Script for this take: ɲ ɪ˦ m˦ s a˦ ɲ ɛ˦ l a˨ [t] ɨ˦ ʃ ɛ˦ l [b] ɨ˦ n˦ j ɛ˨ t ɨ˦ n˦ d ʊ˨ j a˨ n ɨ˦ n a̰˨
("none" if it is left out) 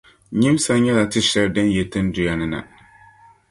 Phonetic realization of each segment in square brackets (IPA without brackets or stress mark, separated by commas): t, d